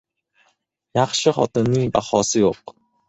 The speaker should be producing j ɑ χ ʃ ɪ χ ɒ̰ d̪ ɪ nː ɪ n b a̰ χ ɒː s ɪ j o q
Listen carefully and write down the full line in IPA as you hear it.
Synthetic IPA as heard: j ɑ χ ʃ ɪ χ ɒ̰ t̪ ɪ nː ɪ ŋ b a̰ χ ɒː s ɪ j o q